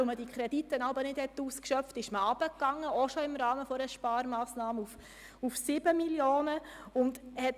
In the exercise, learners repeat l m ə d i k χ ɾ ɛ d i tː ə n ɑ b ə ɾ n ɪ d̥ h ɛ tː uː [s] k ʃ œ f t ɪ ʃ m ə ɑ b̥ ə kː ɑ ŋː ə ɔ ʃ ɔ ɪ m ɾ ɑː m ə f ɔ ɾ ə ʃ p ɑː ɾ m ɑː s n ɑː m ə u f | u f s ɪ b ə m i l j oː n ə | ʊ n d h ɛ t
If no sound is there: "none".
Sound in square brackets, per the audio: s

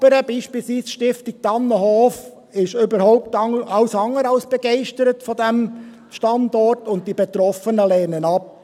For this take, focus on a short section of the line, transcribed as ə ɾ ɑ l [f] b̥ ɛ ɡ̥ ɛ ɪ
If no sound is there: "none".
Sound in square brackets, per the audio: s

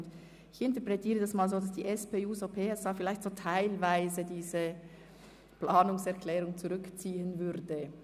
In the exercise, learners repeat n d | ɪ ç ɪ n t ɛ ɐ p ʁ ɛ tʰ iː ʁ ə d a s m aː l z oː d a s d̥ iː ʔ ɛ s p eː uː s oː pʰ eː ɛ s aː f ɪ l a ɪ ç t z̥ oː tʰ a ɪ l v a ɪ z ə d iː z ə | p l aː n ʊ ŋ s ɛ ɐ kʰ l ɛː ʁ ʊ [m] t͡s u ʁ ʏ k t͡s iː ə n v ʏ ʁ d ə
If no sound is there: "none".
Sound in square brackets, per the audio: ŋ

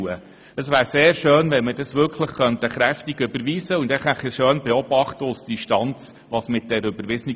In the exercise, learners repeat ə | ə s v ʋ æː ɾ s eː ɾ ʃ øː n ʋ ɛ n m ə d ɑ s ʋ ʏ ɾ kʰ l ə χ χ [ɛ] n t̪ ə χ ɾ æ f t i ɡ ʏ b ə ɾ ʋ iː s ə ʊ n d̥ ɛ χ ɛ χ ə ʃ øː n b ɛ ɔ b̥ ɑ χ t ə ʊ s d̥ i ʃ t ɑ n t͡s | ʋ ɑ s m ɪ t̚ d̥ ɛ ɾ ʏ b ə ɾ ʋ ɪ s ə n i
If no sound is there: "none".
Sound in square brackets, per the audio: œ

